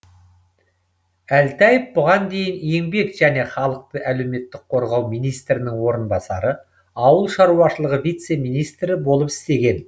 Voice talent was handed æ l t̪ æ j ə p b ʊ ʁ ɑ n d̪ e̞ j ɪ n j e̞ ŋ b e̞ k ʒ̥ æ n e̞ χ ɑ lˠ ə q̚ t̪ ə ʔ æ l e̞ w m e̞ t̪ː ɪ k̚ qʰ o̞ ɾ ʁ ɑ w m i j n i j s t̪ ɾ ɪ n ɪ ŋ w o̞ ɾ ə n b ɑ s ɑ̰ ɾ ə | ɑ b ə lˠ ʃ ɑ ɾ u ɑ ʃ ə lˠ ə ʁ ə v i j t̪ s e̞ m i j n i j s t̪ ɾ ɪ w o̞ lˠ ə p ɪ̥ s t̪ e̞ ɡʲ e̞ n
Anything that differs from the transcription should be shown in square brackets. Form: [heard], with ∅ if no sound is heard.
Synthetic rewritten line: æ l t̪ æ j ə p b ʊ ʁ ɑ n d̪ e̞ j ɪ n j e̞ ŋ b e̞ k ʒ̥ æ n e̞ χ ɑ lˠ ə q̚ t̪ ə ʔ æ l e̞ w m e̞ t̪ː ɪ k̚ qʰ o̞ ɾ ʁ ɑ w m i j n i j s t̪ ɾ ɪ n ɪ ŋ w o̞ ɾ ə n b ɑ s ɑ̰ ɾ ə | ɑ [w] ə lˠ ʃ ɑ ɾ u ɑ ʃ ə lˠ ə ʁ ə v i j t̪ s e̞ m i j n i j s t̪ ɾ ɪ [b] o̞ lˠ ə p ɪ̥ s t̪ e̞ ɡʲ e̞ n